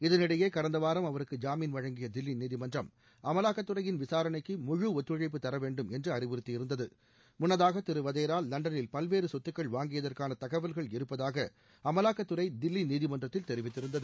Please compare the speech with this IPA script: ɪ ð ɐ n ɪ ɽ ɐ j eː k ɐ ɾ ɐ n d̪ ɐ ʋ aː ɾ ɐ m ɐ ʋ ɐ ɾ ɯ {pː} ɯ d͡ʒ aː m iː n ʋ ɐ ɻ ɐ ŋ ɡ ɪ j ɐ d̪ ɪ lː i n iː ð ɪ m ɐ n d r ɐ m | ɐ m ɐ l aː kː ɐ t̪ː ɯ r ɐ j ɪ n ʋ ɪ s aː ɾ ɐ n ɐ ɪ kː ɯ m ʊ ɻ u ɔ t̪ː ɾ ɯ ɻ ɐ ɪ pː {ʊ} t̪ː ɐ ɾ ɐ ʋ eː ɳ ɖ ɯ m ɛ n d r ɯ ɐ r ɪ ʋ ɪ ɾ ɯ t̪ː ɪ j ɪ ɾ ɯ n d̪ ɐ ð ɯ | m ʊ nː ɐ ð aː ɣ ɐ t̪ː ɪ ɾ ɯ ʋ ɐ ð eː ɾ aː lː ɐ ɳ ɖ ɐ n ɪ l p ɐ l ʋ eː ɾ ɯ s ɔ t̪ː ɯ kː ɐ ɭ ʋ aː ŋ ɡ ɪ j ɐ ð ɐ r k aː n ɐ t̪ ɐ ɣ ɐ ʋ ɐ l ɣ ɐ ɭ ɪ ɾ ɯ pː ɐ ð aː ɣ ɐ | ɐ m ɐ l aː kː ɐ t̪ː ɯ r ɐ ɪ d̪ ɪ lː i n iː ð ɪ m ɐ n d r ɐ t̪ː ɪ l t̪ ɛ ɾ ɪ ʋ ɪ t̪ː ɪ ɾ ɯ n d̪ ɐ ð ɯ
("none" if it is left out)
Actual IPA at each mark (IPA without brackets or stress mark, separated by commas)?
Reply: kː, ɯ